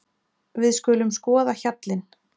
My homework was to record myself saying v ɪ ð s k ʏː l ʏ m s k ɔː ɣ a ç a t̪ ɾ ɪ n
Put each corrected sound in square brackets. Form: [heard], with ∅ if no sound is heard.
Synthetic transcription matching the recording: v ɪ ð s k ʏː l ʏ m s k ɔː [ð] a ç a t̪ [l] ɪ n